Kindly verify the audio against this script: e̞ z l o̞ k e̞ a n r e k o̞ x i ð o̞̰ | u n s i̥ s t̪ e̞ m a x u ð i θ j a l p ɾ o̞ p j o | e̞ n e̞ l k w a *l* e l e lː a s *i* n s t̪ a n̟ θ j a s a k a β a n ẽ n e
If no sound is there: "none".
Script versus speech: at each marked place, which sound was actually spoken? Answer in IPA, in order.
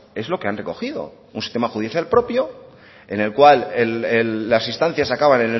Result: l, i

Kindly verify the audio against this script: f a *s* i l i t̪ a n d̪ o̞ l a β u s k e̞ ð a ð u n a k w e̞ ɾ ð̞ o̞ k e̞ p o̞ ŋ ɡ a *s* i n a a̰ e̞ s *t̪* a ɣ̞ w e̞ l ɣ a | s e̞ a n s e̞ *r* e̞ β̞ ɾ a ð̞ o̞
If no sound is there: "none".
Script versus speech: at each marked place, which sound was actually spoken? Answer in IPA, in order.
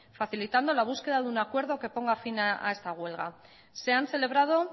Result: θ, f, t̪, l

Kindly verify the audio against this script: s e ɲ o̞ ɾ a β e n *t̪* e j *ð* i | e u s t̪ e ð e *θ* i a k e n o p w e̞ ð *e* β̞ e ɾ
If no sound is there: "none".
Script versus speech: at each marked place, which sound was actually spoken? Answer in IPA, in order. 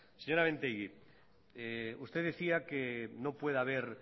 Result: t̪, ɣ, θ, a

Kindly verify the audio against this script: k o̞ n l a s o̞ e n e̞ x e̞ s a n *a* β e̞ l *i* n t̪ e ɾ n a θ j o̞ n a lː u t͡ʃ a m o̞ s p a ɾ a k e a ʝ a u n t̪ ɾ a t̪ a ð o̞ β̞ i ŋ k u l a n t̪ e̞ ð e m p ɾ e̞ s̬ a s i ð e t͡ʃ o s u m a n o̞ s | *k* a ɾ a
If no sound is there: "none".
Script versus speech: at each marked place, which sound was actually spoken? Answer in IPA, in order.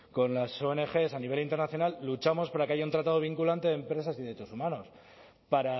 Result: i, i, p

